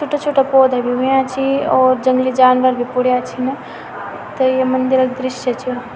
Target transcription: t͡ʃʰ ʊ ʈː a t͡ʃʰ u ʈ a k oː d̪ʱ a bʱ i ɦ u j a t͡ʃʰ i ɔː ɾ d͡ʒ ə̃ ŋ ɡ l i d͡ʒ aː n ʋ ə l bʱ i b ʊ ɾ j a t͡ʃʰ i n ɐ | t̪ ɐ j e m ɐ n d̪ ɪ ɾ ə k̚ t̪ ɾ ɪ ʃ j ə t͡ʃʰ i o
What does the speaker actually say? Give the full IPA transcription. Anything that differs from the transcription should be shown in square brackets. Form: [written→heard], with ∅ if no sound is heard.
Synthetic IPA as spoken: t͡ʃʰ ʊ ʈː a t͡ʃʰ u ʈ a [k→p] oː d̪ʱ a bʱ i ɦ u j a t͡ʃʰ i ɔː ɾ d͡ʒ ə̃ ŋ ɡ l i d͡ʒ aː n ʋ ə [l→ɾ] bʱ i [b→p] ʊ [ɾ→ɽ] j a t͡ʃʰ i n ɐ | t̪ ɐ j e m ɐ n d̪ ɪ ɾ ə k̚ [t̪→d̪] ɾ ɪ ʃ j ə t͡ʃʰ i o

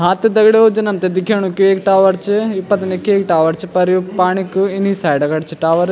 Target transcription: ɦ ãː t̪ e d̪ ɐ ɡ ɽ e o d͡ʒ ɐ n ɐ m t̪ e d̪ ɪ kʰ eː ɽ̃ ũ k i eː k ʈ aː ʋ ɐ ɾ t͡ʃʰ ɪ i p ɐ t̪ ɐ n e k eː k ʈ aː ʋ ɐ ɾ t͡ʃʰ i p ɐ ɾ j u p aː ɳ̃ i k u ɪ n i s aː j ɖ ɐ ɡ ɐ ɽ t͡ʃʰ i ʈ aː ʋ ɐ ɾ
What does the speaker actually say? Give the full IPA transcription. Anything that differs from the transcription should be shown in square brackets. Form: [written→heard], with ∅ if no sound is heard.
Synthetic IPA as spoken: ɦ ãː t̪ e d̪ ɐ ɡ ɽ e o d͡ʒ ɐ n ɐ m t̪ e d̪ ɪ kʰ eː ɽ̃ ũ k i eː k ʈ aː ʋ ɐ ɾ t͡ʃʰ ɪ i p ɐ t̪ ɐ n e k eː k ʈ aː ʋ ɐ ɾ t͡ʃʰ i p ɐ ɾ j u p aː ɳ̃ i k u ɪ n i s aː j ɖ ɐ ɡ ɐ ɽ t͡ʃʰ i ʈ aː ʋ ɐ ɾ

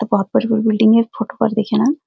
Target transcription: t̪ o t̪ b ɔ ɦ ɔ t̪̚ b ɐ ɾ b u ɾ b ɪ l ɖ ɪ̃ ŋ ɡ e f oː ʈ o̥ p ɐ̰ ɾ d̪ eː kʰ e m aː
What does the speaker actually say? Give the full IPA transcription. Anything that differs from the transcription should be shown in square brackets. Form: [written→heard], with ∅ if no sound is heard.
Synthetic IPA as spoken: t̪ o [t̪→∅] b ɔ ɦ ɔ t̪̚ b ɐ ɾ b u ɾ b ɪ l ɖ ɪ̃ ŋ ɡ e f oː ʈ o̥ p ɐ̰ ɾ d̪ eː kʰ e [m→n] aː

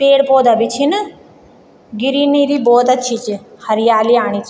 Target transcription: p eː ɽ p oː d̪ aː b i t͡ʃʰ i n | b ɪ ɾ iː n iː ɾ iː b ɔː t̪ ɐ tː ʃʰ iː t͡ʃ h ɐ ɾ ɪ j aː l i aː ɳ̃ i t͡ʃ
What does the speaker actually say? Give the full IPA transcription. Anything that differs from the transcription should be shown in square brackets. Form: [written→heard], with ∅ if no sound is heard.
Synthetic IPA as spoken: p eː ɽ p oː d̪ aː b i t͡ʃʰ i n | [b→ɡ] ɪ ɾ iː n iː ɾ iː b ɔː t̪ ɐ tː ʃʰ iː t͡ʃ h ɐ ɾ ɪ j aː l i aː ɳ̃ i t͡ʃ

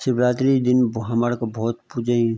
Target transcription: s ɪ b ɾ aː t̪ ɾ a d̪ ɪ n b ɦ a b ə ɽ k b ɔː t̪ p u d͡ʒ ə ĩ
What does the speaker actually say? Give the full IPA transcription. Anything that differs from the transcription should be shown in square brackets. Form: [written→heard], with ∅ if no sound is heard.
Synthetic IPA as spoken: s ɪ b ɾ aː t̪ ɾ [a→i] d̪ ɪ n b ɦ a [b→m] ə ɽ k b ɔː t̪ p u d͡ʒ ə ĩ

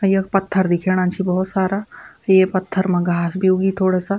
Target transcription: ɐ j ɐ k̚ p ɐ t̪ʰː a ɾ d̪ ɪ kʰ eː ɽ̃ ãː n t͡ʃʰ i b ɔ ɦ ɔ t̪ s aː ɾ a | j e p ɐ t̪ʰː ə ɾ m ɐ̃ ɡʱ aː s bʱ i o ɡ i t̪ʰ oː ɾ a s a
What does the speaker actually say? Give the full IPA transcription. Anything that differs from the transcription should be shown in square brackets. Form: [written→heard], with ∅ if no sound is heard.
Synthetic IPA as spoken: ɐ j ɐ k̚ p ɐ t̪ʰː [a→ə] ɾ d̪ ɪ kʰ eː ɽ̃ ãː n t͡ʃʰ i b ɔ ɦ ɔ t̪ s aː ɾ a | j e p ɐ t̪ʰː ə ɾ m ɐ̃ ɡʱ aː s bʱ i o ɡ i t̪ʰ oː [ɾ→ɽ] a s a

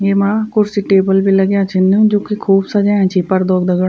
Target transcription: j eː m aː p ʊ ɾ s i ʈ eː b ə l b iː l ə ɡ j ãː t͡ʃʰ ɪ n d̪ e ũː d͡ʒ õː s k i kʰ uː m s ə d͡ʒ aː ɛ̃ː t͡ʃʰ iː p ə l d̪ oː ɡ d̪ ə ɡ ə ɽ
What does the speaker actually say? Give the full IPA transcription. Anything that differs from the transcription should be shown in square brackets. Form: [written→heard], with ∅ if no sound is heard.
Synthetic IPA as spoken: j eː m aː [p→k] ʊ ɾ s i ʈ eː b ə l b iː l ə ɡ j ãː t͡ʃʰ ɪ n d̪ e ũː d͡ʒ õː [s→∅] k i kʰ uː [m→b] s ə d͡ʒ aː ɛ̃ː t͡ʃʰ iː p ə [l→ɾ] d̪ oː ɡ d̪ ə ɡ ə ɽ

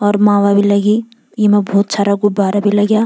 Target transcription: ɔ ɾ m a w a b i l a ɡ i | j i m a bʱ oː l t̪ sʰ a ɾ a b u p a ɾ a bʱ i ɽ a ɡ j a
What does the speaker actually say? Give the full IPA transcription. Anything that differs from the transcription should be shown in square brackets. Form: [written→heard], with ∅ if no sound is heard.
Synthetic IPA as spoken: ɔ ɾ m a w a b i l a ɡ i | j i m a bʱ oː [l→∅] t̪ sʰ a ɾ a [b→ɡ] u [p→b] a ɾ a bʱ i [ɽ→l] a ɡ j a

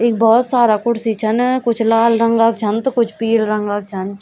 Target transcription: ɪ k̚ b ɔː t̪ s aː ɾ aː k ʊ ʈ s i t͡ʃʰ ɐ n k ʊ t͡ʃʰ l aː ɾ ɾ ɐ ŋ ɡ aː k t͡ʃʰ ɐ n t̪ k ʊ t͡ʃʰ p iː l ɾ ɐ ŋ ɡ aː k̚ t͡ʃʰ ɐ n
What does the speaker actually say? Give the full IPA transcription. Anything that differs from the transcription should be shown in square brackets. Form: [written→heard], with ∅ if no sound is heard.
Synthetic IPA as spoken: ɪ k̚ b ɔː t̪ s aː ɾ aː k ʊ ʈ s i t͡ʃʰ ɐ n k ʊ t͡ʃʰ l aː [ɾ→l] ɾ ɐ ŋ ɡ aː k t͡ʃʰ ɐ n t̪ k ʊ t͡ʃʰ p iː l ɾ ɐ ŋ ɡ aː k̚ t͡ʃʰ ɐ n

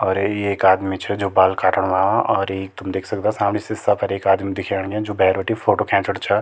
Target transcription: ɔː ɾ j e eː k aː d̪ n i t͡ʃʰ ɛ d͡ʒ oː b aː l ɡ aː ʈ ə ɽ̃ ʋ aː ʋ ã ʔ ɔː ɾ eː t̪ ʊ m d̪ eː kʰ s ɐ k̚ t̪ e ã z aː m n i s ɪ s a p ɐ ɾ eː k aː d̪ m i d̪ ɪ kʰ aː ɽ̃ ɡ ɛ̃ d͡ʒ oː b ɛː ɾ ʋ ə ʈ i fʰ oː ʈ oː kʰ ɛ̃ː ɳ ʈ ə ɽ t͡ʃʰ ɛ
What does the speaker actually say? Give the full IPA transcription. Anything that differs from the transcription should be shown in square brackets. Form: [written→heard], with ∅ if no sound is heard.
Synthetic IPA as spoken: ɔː ɾ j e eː k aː d̪ [n→m] i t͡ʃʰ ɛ d͡ʒ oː b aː l [ɡ→k] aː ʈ ə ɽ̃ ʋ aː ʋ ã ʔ ɔː ɾ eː t̪ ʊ m d̪ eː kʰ s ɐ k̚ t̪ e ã [z→s] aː m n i s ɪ s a p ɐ ɾ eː k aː d̪ m i d̪ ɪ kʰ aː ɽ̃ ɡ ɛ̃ d͡ʒ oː b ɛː ɾ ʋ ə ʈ i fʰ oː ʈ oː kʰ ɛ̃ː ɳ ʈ ə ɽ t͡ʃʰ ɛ

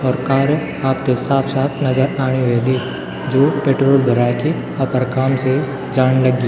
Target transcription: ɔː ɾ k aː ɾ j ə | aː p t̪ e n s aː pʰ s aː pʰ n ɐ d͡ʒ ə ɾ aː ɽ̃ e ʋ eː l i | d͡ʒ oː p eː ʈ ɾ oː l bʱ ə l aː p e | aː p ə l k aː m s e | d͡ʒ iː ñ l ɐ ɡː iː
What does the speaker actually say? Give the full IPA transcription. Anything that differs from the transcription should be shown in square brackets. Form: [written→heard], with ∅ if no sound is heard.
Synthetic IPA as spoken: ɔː ɾ k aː ɾ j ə | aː p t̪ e [n→∅] s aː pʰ s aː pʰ n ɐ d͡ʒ ə ɾ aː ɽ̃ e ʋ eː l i | d͡ʒ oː p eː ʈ ɾ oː l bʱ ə [l→ɾ] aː [p→k] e | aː p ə [l→ɾ] k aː m s e | d͡ʒ [iː→aː] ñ l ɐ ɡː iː

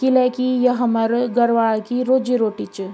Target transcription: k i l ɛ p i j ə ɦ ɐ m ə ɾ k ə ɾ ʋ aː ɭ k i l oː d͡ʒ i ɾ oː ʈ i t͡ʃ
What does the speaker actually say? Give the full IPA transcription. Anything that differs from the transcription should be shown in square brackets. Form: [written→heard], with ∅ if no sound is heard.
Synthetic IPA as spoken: k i l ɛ [p→k] i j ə ɦ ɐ m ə ɾ [k→ɡ] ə ɾ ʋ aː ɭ k i [l→ɾ] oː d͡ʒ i ɾ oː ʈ i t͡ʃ

